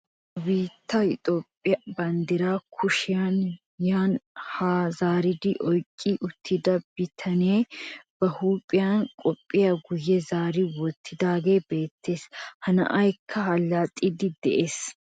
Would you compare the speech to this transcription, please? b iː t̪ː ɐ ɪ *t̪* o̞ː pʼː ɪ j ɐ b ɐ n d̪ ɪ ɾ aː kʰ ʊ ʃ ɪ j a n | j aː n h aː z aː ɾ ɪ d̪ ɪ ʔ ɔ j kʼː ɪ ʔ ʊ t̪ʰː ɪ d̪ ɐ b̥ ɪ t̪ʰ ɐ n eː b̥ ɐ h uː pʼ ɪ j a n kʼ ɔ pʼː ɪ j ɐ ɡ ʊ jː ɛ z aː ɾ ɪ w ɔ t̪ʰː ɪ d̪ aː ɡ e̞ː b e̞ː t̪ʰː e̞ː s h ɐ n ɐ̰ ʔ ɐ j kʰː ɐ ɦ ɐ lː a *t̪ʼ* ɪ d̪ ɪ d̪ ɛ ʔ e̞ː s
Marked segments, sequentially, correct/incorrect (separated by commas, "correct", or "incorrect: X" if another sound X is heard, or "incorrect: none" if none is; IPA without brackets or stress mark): incorrect: t̪ʼ, correct